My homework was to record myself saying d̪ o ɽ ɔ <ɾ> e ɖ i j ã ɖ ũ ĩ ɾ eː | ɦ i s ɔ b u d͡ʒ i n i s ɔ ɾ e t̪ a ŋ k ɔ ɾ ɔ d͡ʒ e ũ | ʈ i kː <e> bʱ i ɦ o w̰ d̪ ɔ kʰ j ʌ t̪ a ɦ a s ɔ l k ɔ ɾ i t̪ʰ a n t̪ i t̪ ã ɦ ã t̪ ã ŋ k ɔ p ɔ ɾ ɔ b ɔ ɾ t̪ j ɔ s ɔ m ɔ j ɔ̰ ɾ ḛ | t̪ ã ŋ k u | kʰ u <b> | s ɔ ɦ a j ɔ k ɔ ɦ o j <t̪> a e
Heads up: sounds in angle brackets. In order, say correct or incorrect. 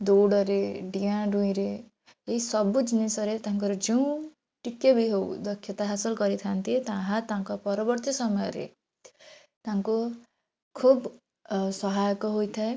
correct, correct, correct, incorrect: t̪ʰ

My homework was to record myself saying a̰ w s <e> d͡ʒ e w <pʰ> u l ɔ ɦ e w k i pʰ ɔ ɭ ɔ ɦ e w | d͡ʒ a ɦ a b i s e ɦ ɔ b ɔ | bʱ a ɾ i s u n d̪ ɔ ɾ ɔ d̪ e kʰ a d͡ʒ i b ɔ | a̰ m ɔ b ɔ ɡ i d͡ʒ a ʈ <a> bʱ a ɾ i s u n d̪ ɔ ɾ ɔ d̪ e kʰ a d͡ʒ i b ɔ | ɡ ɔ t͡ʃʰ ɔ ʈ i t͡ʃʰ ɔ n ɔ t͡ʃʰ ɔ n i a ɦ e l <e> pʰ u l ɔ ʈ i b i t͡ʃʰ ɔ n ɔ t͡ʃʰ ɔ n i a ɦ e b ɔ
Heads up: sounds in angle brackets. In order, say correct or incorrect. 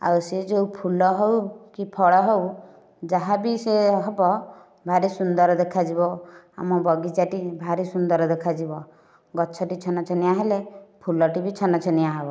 correct, correct, incorrect: i, correct

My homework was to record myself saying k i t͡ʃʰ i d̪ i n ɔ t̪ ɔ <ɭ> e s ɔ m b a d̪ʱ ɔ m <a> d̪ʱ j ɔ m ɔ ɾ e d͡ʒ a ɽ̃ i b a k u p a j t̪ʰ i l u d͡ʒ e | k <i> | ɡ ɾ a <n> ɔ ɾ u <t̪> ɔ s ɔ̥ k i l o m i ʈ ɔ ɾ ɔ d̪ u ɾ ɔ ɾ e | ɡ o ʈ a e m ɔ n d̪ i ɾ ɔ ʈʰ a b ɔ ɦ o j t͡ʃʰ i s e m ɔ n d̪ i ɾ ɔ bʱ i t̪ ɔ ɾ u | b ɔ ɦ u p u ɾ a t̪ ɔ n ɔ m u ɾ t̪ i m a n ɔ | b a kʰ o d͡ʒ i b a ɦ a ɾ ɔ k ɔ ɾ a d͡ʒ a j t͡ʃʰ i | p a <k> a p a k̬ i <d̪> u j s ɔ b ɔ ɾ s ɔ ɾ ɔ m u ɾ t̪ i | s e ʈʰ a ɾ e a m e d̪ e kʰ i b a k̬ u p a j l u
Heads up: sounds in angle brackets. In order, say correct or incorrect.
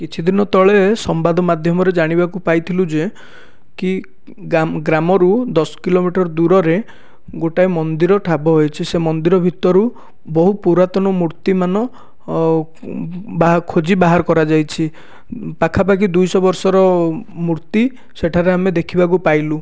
correct, correct, correct, incorrect: m, incorrect: d̪, incorrect: kʰ, correct

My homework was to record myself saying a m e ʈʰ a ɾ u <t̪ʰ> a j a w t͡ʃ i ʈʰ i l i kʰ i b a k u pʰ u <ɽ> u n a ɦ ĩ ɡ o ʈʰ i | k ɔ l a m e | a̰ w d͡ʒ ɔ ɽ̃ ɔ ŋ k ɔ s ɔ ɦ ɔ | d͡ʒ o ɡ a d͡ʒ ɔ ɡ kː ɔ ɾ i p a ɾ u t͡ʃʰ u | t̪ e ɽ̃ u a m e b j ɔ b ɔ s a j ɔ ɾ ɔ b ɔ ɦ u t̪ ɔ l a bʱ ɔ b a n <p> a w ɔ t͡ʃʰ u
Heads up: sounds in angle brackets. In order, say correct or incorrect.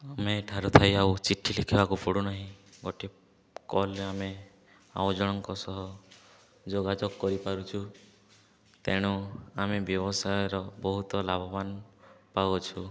correct, correct, correct

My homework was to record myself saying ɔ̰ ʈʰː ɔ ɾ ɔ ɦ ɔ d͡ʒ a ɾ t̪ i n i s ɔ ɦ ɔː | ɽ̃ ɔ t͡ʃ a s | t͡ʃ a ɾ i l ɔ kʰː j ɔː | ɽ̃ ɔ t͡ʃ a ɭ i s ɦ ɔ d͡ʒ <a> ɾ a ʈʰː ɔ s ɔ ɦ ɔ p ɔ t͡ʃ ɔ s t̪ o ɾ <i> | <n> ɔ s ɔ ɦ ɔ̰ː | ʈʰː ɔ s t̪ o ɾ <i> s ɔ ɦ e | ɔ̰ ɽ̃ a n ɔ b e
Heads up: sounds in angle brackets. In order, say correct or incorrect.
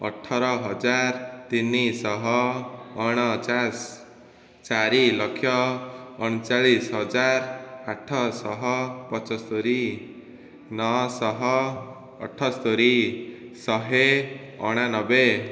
correct, correct, correct, correct

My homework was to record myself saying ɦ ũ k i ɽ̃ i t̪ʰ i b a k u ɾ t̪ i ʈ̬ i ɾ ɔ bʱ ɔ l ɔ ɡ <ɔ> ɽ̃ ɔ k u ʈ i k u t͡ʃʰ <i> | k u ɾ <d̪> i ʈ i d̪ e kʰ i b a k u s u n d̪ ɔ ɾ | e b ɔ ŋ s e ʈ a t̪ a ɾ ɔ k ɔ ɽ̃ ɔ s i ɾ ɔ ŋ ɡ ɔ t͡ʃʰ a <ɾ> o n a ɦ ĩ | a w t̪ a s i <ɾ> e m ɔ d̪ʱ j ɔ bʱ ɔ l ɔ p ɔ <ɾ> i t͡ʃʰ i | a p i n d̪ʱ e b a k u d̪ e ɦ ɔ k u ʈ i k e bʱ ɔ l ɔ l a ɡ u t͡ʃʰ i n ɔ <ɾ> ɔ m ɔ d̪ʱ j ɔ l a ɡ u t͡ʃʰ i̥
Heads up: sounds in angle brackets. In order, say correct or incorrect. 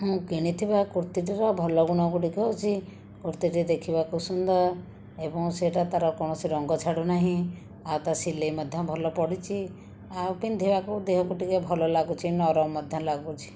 incorrect: u, correct, incorrect: t̪, incorrect: ɽ, incorrect: l, incorrect: ɽ, correct

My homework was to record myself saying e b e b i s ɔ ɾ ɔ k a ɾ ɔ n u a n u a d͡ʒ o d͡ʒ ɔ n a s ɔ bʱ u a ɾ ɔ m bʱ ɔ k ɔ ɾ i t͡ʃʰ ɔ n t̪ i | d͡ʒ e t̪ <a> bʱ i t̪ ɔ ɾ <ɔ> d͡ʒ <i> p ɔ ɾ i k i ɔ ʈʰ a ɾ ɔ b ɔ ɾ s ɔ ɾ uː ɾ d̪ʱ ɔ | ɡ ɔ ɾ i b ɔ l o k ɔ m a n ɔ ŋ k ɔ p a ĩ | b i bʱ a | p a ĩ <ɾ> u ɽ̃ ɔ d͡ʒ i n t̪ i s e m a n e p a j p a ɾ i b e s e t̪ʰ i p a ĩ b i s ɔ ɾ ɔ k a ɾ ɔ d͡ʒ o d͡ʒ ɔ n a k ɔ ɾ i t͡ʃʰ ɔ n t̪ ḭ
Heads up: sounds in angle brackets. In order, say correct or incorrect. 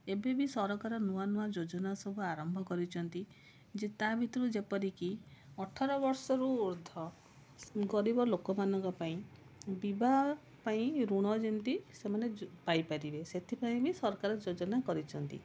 correct, incorrect: u, incorrect: e, correct

